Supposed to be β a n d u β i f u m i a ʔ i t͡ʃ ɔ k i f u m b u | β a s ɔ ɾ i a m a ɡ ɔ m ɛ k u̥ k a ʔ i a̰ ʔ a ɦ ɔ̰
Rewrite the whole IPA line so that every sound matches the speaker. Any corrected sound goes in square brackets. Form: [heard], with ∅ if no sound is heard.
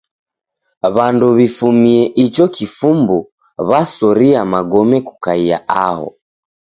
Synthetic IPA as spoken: β a n d u β i f u m i [ɛ] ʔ i t͡ʃ ɔ k i f u m b u | β a s ɔ ɾ i a m a ɡ ɔ m ɛ k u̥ k a [∅] i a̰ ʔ a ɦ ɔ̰

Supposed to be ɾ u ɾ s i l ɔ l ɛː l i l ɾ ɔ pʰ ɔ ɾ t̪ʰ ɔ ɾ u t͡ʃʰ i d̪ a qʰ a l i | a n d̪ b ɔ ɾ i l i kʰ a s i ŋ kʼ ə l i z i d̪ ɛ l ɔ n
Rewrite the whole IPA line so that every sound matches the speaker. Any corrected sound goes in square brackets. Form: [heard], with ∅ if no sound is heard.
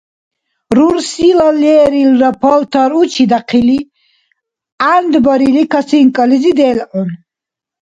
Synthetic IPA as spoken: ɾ u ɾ s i l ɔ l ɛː [ɾ] i l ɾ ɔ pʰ ɔ [l] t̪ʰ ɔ ɾ u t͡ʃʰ i d̪ a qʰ [i] l i | a n d̪ b ɔ ɾ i l i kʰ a s i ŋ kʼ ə l i z i d̪ ɛ l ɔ n

